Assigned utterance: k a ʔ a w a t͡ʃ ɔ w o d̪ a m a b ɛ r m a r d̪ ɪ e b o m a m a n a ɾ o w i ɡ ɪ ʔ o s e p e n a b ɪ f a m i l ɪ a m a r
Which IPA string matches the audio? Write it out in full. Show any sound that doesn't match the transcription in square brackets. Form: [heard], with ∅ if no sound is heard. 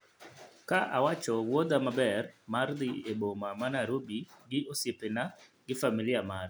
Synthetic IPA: k a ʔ a w a t͡ʃ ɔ w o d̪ a m a b ɛ r m a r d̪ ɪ e b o m a m a n a ɾ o [b] i ɡ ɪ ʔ o s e p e n a [ɡ] ɪ f a m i l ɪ a m a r